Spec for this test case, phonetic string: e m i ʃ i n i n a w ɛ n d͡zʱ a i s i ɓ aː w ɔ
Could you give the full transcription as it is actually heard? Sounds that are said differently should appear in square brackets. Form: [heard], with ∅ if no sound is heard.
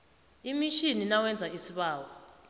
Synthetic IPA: [i] m i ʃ i n i n a w ɛ n d͡zʱ a i s i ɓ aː w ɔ